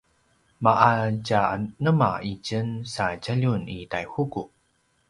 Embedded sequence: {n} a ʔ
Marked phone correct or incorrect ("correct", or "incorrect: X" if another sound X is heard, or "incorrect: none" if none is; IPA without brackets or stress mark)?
incorrect: m